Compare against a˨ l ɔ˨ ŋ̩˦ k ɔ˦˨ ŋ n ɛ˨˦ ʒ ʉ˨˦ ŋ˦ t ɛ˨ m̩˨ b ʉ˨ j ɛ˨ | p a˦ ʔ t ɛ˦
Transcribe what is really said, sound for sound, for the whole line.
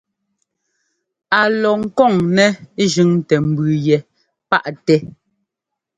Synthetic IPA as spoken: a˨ l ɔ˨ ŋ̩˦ k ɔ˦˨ ŋ n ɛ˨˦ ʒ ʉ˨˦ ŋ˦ t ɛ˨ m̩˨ b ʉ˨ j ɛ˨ | p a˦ ʔ t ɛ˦